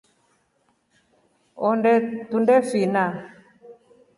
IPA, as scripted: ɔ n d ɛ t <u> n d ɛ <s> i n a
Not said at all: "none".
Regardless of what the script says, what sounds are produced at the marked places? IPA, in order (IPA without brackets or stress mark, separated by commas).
u, f